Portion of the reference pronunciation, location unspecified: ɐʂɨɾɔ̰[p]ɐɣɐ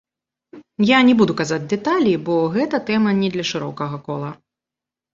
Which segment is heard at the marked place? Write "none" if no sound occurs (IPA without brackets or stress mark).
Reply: k